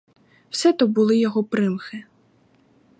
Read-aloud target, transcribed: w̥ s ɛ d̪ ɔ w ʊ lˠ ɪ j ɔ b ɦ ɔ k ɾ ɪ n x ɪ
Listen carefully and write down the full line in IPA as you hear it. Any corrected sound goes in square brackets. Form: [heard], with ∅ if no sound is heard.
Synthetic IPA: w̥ s ɛ [t̪] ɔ [b] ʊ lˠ ɪ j ɔ [∅] ɦ ɔ [p] ɾ ɪ [m] x ɪ